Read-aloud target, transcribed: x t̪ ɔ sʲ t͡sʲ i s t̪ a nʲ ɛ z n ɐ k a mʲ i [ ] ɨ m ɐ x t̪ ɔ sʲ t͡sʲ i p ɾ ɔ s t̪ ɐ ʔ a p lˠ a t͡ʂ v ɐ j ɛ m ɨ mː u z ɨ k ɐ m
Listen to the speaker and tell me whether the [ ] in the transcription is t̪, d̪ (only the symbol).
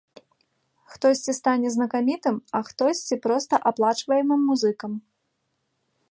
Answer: t̪